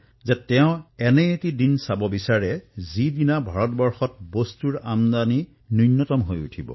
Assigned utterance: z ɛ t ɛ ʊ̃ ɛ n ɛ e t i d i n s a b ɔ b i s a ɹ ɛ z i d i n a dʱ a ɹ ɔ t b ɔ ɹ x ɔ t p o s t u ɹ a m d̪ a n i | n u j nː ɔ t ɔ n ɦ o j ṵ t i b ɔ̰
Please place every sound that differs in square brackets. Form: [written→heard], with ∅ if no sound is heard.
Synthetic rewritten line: z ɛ t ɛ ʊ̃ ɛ n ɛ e t i d i n s a b ɔ b i s a ɹ ɛ z i d i n a [dʱ→bʱ] a ɹ ɔ t b ɔ ɹ x ɔ t [p→b] o s t u ɹ a m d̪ a n i | n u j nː ɔ t ɔ [n→m] ɦ o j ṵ [t→tʰ] i b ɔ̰